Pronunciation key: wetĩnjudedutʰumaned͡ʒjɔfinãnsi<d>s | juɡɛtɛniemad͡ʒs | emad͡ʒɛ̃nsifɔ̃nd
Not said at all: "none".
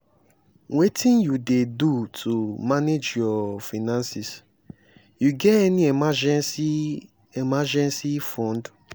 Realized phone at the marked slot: none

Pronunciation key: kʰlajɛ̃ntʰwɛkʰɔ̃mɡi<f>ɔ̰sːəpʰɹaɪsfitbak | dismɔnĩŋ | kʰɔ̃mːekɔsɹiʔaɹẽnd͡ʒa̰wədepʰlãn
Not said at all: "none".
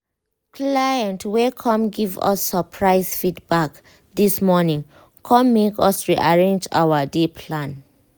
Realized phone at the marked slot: v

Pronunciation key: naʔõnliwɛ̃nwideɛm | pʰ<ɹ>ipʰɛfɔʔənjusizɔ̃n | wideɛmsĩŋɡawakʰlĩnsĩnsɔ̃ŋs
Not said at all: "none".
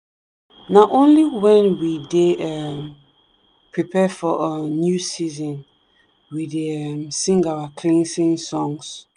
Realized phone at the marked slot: ɹ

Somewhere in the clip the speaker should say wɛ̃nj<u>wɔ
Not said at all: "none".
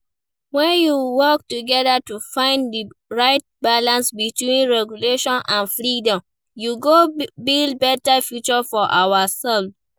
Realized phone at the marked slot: u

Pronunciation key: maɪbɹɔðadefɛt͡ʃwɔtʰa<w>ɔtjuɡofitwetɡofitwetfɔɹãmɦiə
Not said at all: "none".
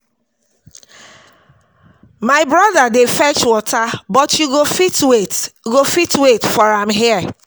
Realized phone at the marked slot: b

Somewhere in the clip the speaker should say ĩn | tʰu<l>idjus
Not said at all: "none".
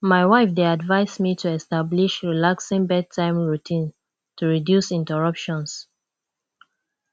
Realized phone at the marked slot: ɹ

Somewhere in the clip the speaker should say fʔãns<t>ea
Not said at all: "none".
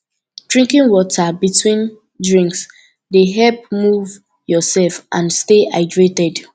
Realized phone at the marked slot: t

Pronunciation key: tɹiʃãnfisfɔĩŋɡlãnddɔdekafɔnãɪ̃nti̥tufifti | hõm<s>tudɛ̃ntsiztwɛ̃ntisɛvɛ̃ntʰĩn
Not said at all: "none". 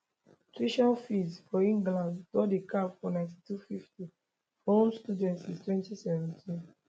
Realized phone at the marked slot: s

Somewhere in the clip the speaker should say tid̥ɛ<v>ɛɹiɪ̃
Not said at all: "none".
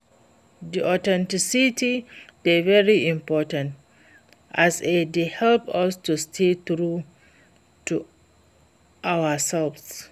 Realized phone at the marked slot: v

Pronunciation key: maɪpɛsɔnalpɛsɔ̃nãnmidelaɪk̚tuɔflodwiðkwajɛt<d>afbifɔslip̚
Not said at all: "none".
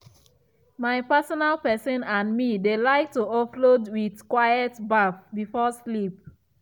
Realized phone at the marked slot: b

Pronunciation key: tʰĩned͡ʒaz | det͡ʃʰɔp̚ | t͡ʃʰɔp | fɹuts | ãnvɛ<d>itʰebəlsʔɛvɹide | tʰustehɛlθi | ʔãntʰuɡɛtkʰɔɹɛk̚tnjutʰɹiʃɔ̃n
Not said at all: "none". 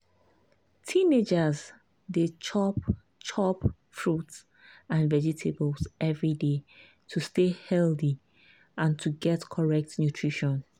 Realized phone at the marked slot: d͡ʒ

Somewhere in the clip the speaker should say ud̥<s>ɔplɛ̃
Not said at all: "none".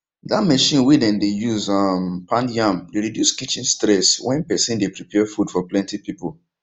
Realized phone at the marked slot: f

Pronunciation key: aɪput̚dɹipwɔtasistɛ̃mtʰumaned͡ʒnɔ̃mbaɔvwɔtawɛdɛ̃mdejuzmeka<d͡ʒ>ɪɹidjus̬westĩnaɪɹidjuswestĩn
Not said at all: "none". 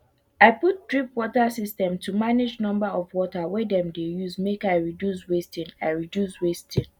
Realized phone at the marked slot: none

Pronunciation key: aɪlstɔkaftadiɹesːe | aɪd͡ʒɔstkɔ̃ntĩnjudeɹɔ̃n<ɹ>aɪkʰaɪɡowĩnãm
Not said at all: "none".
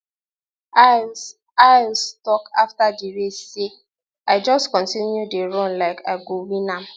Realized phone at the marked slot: l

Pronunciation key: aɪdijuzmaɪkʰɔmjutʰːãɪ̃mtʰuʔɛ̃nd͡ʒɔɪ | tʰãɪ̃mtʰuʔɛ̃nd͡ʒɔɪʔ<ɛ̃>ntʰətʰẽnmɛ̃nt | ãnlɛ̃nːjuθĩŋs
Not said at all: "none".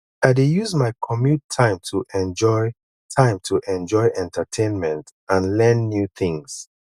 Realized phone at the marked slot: ɛ̃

